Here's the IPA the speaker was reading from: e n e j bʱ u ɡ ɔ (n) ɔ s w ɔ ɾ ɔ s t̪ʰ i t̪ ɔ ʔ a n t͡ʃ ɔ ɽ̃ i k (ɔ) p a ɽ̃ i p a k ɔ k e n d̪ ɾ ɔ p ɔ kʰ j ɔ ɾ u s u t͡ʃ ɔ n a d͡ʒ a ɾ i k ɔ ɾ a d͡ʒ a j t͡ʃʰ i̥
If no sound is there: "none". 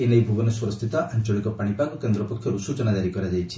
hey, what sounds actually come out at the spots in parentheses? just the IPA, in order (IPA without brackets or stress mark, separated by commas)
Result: n, ɔ